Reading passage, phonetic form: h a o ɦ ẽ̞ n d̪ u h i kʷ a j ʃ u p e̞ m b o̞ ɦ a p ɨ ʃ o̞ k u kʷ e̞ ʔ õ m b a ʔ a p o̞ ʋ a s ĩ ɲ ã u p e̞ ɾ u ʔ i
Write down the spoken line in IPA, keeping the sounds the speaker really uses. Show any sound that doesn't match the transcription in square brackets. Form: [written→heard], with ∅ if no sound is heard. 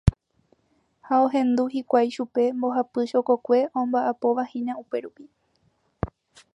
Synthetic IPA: h a o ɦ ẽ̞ n d̪ u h i kʷ a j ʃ u p e̞ m b o̞ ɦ a p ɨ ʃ o̞ k [u→o] kʷ e̞ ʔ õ m b a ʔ a p o̞ ʋ a [s→h] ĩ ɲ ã u p e̞ ɾ u [ʔ→p] i